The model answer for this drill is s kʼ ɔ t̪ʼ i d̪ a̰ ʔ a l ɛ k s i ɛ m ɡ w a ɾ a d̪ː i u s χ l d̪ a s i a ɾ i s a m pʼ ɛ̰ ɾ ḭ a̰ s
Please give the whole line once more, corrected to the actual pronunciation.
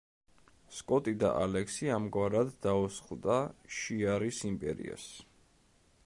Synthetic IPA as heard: s kʼ ɔ t̪ʼ i d̪ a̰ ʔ a l ɛ k s i a m ɡ w a ɾ a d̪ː a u s χ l d̪ a ʃ i a ɾ i s i m pʼ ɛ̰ ɾ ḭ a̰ s